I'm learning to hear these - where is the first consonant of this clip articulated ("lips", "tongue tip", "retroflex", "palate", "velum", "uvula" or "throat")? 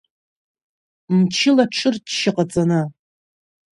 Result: lips